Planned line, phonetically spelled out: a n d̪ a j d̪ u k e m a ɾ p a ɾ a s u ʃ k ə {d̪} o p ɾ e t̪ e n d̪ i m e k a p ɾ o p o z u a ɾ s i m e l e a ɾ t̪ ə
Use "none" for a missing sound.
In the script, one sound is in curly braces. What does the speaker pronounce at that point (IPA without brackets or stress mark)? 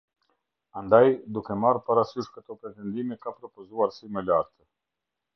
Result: t̪